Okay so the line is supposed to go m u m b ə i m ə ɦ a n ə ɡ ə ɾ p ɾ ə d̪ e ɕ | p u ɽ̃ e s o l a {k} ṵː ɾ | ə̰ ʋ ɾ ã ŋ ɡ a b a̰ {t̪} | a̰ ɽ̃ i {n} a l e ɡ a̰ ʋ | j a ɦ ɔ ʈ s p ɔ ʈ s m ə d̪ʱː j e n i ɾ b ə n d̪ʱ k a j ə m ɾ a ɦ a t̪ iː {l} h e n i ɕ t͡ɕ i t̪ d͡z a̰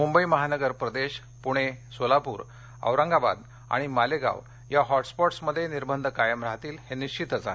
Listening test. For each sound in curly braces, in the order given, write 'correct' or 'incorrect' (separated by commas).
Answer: incorrect, incorrect, incorrect, correct